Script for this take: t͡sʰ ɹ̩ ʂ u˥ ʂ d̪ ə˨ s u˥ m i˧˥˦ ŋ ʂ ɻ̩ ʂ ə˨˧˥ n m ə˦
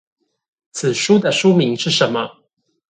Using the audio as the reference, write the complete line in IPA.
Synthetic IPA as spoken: t͡sʰ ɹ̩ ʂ u˥ d̪ ə˨ ʂ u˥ m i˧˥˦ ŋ ʂ ɻ̩ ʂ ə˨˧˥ n m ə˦

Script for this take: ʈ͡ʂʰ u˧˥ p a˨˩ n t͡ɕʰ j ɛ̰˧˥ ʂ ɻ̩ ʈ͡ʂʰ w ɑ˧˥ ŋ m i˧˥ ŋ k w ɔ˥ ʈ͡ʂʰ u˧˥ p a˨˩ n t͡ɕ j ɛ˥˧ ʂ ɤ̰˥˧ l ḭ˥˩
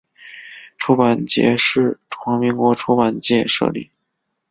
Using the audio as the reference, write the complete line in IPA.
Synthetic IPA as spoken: ʈ͡ʂʰ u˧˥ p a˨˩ n t͡ɕ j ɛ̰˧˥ ʂ ɻ̩ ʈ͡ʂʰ w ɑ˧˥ ŋ m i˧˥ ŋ k w ɔ˧˥ ʈ͡ʂʰ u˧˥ p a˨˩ n t͡ɕ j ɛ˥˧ ʂ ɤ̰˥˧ l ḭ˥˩

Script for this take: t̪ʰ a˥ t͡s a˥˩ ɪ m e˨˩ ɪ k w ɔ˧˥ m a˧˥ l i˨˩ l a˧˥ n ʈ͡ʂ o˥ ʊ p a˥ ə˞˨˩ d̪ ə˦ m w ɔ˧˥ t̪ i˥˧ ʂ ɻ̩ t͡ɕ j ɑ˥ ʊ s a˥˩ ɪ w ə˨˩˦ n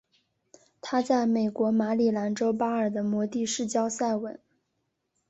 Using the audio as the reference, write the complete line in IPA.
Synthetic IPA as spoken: t̪ʰ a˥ t͡s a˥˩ ɪ m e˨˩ ɪ k w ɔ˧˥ m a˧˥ l i˨˩ l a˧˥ n ʈ͡ʂ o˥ ʊ p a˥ ə˞˨˩ d̪ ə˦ m w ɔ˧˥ t̪ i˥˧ ʂ ɻ̩ t͡ɕ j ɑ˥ ʊ s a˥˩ ɪ w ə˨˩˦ n

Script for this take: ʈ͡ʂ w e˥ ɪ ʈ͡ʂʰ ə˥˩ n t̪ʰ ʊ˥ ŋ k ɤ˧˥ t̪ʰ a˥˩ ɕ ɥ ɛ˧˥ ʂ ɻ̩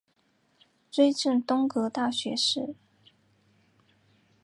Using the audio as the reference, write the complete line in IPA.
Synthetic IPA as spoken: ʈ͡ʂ w e˥ ɪ ʈ͡ʂ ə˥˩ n t̪ ʊ˥ ŋ k ɤ˧˥ t̪ a˥˩ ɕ ɥ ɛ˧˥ ʂ ɻ̩

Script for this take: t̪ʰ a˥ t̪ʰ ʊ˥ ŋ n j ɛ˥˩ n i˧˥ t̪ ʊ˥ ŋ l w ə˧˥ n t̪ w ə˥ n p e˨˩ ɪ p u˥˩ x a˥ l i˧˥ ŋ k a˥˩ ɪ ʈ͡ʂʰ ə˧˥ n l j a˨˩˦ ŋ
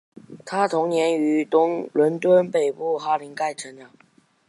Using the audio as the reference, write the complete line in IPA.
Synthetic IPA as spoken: t̪ʰ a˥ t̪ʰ ʊ˧˥ ŋ n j ɛ˧˥ n y˧˥ t̪ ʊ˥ ŋ l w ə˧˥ n t̪ w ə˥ n p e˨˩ ɪ p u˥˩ x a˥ l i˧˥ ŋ k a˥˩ ɪ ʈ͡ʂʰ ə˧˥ n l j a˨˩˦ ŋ

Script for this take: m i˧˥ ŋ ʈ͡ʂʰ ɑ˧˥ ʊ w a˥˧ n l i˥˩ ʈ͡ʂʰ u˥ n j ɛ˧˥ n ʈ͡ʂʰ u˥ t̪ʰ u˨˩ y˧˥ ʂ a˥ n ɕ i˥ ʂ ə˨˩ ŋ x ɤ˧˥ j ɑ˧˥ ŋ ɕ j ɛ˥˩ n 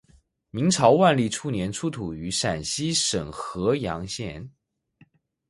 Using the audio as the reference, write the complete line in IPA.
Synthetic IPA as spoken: m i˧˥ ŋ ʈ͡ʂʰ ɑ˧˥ ʊ w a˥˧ n l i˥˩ ʈ͡ʂʰ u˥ n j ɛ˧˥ n ʈ͡ʂʰ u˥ t̪ʰ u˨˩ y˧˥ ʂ a˨˩ n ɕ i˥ ʂ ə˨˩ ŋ x ɤ˧˥ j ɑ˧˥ ŋ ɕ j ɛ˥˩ n

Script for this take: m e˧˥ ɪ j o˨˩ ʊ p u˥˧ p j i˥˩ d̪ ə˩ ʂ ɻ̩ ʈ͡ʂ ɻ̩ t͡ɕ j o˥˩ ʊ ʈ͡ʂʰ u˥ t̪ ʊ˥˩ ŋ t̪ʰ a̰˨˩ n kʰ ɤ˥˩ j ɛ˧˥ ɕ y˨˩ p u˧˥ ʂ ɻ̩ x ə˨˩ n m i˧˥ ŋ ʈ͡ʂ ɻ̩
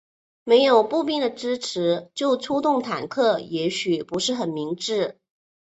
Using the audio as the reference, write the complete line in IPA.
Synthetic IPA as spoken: m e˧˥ ɪ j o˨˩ ʊ p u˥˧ p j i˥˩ d̪ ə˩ ʈ͡ʂ ɻ̩ ʈ͡ʂʰ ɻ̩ t͡ɕ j o˥˩ ʊ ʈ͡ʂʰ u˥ t̪ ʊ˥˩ ŋ t̪ʰ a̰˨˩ n kʰ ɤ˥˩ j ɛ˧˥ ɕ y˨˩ p u˧˥ ʂ ɻ̩ x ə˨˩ n m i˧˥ ŋ ʈ͡ʂ ɻ̩

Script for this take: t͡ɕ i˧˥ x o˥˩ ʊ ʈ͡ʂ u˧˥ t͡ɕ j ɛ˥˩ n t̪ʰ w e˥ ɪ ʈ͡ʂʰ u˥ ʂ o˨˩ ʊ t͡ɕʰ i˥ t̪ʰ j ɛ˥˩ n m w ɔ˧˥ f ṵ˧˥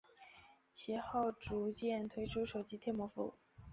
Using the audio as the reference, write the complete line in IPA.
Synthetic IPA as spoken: t͡ɕʰ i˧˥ x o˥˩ ʊ ʈ͡ʂ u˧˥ t͡ɕ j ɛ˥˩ n t̪ʰ w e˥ ɪ ʈ͡ʂʰ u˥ ʂ o˨˩ ʊ t͡ɕ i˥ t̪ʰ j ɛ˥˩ n m w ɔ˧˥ f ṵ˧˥

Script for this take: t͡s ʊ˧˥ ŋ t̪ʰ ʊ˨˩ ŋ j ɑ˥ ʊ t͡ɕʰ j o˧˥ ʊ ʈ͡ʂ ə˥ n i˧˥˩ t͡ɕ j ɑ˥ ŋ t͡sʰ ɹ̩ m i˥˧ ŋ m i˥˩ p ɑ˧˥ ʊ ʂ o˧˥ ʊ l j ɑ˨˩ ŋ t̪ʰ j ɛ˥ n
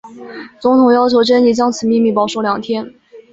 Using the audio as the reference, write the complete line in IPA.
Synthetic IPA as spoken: t͡s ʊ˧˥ ŋ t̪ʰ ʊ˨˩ ŋ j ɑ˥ ʊ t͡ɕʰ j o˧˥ ʊ ʈ͡ʂ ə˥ n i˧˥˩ t͡ɕ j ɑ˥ ŋ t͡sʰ ɹ̩ m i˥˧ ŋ m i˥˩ p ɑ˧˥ ʊ ʂ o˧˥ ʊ l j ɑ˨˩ ŋ t̪ʰ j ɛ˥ n

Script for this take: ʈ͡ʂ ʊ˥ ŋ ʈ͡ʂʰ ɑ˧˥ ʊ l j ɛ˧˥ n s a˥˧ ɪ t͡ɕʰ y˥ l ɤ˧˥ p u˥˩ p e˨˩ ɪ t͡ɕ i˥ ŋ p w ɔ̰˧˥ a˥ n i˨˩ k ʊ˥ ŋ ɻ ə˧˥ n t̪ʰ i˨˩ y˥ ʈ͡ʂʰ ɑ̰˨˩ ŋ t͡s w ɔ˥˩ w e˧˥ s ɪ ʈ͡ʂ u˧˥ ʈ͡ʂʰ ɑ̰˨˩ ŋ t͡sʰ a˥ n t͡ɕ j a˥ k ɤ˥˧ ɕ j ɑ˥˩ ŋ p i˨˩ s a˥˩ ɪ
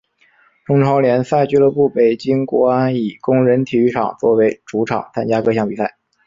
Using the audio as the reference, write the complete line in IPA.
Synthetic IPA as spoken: ʈ͡ʂ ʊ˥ ŋ ʈ͡ʂʰ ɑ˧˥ ʊ l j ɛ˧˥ n s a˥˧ ɪ t͡ɕ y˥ l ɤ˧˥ p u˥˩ p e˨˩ ɪ t͡ɕ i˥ ŋ k w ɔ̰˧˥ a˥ n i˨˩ k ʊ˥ ŋ ɻ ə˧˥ n t̪ʰ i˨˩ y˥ ʈ͡ʂʰ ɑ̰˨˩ ŋ t͡s w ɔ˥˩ w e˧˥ ɪ ʈ͡ʂ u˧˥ ʈ͡ʂʰ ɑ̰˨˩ ŋ t͡sʰ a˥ n t͡ɕ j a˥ k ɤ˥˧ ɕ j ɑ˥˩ ŋ p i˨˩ s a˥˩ ɪ

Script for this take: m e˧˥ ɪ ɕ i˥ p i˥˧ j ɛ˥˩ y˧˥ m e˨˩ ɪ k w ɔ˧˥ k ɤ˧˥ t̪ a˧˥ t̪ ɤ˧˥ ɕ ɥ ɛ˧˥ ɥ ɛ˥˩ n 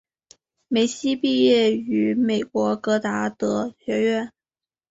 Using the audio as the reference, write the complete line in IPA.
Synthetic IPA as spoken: m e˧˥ ɪ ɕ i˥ p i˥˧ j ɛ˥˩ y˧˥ m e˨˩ ɪ k w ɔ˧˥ k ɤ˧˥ t̪ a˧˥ t̪ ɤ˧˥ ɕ ɥ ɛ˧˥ ɥ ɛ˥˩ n

